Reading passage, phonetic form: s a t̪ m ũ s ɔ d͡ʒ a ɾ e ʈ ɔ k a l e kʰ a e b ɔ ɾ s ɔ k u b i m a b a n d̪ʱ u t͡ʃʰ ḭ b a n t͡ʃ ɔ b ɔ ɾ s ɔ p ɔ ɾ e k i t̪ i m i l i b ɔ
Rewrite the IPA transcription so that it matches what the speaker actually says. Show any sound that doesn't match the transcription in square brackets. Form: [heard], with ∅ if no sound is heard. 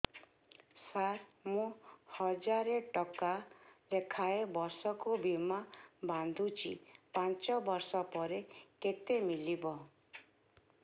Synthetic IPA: s a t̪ m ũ [h] ɔ d͡ʒ a ɾ e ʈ ɔ k a l e kʰ a e b ɔ ɾ s ɔ k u b i m a b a n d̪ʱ u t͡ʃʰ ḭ [p] a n t͡ʃ ɔ b ɔ ɾ s ɔ p ɔ ɾ e k [e] t̪ [e] m i l i b ɔ